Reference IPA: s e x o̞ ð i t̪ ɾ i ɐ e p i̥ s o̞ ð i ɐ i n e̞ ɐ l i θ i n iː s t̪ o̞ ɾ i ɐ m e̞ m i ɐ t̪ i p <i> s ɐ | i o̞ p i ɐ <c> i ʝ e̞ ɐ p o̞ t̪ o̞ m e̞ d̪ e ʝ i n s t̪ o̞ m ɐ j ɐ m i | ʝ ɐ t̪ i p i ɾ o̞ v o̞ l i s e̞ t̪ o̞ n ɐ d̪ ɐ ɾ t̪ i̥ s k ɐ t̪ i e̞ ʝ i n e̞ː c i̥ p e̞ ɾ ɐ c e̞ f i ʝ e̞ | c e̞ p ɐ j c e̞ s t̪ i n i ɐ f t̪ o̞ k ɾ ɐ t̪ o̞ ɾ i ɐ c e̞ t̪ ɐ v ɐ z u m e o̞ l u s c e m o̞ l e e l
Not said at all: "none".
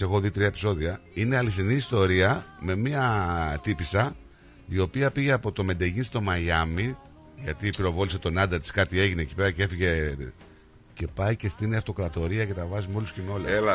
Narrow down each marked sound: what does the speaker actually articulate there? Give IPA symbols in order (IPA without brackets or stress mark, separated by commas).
i, p